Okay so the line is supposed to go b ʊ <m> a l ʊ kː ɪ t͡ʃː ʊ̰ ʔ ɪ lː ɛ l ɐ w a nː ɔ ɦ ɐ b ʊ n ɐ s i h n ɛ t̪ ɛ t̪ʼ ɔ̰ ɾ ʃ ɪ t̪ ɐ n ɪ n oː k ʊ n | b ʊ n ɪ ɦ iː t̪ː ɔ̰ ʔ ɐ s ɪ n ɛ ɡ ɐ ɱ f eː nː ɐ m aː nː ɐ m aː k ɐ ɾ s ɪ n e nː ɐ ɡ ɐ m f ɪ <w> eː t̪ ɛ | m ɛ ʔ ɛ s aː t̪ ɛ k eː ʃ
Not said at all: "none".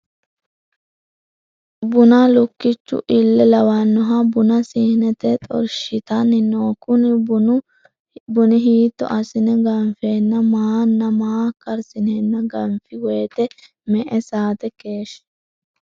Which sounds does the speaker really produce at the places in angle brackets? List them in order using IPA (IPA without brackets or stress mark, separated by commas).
n, w